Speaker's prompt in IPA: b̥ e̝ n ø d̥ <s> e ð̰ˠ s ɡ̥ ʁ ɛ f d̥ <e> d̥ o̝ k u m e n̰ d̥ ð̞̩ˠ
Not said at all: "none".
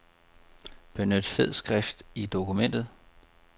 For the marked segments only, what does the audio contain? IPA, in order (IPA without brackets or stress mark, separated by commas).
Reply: f, i